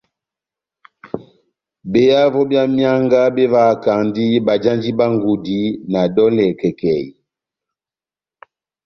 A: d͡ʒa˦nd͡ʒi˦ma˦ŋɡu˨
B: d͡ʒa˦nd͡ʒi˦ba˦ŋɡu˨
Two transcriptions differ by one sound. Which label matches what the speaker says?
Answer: B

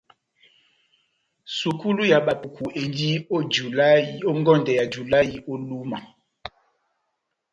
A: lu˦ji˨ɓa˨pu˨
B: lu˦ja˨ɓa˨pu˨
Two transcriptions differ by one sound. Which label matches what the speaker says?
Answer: B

